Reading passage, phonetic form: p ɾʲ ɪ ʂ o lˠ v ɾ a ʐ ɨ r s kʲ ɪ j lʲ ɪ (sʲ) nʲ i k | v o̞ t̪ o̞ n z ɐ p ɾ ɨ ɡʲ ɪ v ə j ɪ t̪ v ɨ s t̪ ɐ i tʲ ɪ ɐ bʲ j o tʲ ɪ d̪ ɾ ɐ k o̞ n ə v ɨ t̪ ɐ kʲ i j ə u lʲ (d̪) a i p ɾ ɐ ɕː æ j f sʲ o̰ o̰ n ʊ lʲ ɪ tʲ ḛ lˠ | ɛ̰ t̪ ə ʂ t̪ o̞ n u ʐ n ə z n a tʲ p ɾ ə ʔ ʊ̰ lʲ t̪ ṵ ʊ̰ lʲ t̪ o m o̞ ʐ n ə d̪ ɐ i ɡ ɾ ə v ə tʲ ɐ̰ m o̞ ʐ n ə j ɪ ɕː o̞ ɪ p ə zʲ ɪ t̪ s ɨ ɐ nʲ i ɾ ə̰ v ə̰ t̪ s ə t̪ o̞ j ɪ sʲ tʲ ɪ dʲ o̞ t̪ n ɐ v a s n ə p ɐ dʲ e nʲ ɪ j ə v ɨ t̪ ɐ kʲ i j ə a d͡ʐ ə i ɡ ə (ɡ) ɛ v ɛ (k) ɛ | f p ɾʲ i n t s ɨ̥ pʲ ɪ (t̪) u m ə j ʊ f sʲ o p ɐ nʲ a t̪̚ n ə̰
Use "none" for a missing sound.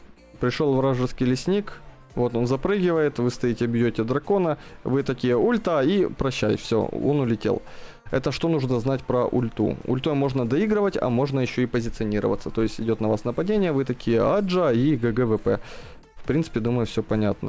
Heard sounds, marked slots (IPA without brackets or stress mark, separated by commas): sʲ, t̪, ɡ, p, d̪